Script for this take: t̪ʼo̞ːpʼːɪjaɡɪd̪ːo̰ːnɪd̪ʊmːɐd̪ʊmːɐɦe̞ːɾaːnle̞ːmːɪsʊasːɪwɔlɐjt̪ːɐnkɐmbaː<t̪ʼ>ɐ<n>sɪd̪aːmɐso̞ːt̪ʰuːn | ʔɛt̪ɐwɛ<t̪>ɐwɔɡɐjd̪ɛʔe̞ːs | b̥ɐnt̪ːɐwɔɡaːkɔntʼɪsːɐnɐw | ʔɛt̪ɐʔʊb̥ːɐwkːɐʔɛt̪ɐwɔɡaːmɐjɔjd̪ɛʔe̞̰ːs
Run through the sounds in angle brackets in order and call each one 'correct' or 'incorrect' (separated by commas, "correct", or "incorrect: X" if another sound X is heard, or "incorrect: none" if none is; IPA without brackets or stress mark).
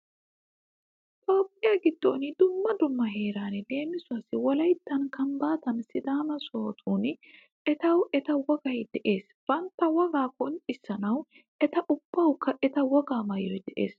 incorrect: t̪, correct, correct